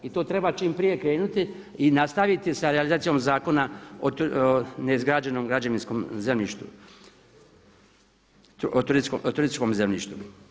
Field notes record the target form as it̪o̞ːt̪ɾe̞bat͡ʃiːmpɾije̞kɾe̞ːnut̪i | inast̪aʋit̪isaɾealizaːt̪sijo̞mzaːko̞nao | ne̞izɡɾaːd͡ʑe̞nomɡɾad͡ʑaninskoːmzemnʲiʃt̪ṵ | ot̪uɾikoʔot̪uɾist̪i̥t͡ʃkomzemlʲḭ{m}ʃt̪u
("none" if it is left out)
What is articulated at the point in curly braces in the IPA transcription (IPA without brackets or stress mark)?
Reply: none